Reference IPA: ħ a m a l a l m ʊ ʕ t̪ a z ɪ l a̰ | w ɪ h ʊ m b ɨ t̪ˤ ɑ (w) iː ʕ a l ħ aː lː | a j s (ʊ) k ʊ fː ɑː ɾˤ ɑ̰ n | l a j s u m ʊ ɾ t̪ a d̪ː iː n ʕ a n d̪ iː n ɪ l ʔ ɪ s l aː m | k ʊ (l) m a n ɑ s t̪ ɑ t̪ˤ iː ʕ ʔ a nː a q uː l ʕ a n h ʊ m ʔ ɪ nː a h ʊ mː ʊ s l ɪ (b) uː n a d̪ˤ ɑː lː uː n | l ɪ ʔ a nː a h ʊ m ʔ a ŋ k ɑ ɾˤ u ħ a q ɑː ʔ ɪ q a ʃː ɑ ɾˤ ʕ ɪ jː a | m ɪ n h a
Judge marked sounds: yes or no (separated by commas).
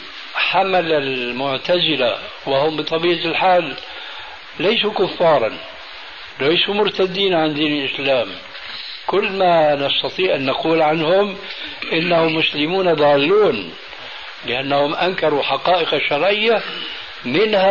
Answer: no, no, no, no